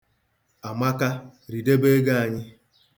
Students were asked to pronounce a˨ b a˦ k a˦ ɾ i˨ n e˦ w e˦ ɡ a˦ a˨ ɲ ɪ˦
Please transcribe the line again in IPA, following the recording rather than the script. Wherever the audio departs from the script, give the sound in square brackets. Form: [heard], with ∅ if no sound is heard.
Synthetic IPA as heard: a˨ [m] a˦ k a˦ ɾ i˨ [d] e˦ [b] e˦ ɡ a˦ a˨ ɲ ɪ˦